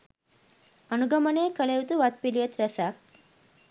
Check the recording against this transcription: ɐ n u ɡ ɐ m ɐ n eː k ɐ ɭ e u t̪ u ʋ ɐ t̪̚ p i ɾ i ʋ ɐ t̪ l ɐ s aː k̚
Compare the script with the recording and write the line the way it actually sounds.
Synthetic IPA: ɐ n u ɡ ɐ m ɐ n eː k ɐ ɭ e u t̪ u ʋ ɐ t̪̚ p i l i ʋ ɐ t̪ ɾ ɐ s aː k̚